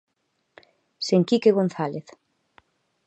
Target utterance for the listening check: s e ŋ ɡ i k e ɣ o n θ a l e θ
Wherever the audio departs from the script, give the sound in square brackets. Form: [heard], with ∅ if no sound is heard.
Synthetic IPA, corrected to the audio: s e ŋ [k] i k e ɣ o n θ a l e θ